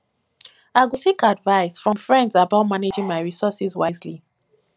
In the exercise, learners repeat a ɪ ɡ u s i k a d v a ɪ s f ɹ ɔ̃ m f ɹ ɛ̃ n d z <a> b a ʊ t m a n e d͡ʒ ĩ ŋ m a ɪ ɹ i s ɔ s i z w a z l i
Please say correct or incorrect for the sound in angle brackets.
correct